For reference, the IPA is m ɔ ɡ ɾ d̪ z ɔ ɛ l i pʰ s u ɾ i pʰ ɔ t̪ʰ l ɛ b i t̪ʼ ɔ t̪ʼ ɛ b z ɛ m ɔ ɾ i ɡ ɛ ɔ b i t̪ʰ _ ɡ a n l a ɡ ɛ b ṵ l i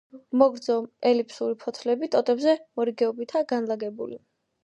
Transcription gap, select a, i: a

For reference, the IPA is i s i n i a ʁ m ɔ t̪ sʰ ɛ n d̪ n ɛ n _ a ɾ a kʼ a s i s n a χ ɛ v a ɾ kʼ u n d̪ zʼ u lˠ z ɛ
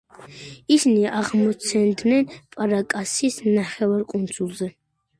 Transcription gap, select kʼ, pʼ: pʼ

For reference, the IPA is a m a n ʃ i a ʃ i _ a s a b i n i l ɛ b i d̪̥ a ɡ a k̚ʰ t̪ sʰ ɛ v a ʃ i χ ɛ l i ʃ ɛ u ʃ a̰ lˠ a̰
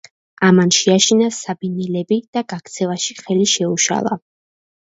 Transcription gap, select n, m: n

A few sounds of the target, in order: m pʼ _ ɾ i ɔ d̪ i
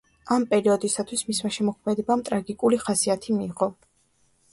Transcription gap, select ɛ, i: ɛ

